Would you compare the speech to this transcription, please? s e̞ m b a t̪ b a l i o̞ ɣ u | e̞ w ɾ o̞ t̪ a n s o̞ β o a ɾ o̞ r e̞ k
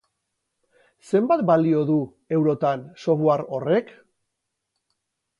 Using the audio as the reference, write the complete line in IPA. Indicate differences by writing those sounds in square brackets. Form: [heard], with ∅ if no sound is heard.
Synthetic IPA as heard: s e̞ m b a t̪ b a l i o̞ [ð] u | e̞ w ɾ o̞ t̪ a n s o̞ β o a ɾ o̞ r e̞ k